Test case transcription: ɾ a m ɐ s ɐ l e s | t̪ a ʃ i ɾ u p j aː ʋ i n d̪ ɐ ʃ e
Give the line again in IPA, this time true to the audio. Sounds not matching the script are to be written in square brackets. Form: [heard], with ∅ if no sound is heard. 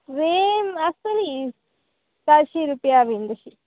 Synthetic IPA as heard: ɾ [e] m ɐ s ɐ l [i] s | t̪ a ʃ i ɾ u p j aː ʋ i n d̪ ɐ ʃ [i]